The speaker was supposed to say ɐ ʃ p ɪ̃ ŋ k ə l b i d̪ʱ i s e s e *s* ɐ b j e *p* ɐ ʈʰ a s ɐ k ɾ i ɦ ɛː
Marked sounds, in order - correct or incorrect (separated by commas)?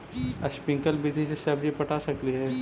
incorrect, correct